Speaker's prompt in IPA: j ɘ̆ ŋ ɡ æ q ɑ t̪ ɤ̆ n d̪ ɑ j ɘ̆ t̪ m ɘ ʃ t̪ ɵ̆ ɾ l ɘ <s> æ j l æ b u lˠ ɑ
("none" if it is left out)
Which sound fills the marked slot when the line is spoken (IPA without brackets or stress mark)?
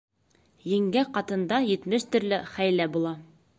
χ